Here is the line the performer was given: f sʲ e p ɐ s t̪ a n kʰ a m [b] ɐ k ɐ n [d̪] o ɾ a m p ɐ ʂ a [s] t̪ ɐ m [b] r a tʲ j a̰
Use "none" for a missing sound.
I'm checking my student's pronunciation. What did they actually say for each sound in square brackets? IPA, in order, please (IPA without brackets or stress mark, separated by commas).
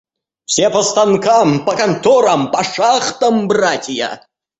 p, t̪, χ, b